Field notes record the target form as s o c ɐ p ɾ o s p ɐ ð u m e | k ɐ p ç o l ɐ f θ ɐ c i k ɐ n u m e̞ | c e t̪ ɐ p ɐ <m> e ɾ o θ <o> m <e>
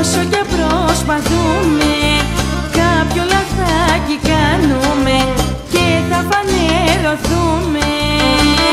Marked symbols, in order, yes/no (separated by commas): no, no, yes